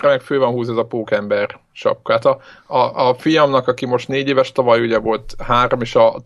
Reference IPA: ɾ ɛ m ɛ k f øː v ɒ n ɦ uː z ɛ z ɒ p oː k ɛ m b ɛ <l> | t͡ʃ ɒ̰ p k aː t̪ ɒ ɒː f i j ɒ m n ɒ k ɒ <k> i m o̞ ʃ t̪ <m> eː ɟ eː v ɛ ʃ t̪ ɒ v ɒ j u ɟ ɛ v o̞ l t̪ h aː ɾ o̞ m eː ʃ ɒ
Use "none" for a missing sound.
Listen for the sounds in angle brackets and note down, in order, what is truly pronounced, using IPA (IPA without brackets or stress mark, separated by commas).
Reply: r, k, n